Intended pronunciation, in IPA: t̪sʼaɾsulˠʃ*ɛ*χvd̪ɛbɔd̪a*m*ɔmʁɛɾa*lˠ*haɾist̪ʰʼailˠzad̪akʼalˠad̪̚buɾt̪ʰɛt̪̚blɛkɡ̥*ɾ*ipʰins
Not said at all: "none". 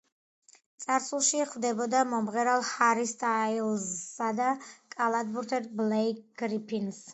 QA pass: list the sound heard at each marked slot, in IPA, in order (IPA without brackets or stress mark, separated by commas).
i, m, lˠ, ɾ